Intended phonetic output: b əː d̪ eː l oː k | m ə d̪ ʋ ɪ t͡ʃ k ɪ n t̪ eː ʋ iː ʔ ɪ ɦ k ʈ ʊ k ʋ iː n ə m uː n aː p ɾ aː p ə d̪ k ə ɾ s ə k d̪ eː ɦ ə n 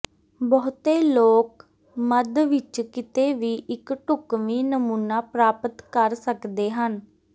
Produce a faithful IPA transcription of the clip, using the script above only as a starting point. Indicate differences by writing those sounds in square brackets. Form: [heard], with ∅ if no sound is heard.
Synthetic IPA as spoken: b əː [t̪] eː l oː k | m ə d̪ ʋ ɪ t͡ʃ k ɪ [∅] t̪ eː ʋ iː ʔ ɪ [∅] k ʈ ʊ k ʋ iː n ə m uː n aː p ɾ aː p ə [t̪] k ə ɾ s ə k d̪ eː ɦ ə n